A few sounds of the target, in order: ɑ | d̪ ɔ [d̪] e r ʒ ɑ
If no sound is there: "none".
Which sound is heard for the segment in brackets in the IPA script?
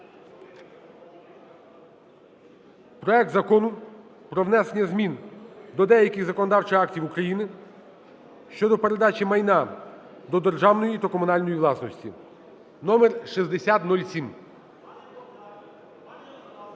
d̪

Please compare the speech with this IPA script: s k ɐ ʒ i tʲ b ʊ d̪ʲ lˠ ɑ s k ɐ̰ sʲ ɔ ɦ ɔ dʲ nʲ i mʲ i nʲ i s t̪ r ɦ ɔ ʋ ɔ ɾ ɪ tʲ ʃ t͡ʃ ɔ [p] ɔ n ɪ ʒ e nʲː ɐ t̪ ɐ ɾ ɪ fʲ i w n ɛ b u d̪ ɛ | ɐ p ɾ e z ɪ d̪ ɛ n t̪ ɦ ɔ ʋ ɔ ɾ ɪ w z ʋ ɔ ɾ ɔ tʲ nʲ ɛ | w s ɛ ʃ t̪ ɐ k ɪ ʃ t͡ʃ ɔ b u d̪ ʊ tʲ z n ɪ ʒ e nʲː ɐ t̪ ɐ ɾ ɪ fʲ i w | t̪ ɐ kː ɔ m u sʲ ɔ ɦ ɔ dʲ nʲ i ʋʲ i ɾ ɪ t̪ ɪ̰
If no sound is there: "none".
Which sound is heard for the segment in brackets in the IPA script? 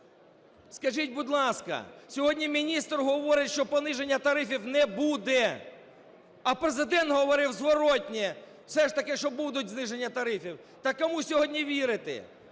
p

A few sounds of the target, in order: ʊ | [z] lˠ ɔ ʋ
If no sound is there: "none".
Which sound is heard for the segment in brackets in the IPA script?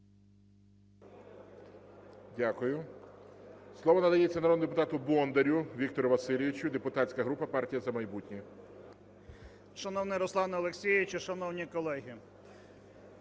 s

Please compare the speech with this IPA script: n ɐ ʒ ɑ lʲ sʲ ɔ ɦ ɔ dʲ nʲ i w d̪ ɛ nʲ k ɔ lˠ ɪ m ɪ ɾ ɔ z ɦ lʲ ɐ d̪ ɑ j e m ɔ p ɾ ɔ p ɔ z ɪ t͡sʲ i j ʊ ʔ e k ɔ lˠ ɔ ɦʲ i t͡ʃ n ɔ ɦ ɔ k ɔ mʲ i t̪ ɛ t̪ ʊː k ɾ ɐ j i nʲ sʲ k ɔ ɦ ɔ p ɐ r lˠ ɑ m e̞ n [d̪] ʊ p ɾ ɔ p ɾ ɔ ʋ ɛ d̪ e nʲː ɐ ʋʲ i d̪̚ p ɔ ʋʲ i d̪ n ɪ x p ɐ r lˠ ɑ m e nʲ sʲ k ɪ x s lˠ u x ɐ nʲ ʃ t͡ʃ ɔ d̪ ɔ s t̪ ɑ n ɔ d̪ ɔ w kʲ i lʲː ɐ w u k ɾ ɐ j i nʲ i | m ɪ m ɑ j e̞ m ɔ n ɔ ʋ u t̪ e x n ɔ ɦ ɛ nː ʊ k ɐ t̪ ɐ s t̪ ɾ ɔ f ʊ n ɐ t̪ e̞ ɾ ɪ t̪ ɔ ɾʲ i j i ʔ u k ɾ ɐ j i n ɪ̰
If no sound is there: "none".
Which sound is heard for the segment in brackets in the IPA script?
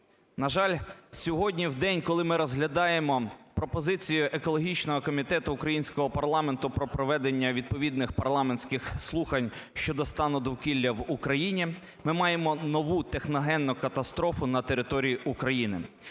t̪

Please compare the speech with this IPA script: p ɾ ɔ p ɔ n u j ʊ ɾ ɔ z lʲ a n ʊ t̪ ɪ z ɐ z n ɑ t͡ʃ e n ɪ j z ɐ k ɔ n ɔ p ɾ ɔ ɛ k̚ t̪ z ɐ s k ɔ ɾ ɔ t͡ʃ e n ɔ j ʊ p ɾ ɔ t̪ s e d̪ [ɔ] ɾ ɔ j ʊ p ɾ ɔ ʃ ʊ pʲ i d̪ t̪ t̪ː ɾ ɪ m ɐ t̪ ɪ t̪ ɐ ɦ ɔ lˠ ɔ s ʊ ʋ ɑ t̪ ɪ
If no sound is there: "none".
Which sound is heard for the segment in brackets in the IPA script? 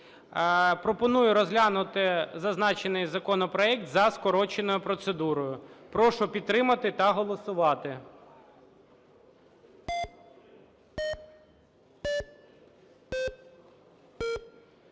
u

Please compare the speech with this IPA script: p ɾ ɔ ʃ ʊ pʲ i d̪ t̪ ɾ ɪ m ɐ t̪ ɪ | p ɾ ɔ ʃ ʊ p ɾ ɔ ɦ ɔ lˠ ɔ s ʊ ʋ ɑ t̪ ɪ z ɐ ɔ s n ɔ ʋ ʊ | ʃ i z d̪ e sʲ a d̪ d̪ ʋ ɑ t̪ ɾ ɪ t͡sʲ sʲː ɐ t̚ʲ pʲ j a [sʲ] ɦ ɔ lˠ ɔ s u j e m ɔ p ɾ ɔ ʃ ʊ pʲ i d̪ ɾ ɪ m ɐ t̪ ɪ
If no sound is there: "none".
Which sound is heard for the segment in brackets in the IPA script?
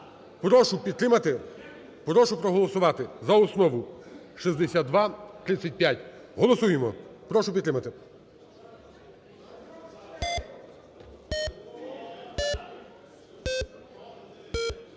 tʲ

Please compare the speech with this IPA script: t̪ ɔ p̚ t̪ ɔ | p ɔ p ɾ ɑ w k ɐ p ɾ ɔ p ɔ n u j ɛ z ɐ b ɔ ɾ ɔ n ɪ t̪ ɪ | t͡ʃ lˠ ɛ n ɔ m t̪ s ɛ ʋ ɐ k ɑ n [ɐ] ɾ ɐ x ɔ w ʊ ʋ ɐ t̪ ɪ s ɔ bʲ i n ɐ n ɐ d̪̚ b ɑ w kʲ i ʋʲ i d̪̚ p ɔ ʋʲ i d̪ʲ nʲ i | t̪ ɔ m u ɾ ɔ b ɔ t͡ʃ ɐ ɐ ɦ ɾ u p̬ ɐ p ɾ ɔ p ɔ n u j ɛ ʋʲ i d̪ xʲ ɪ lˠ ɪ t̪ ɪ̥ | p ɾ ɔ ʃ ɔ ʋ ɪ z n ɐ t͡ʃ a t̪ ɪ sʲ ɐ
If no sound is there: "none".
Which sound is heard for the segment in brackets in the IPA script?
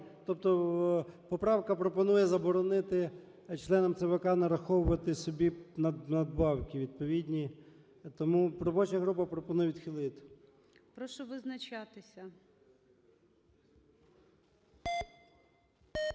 ɐ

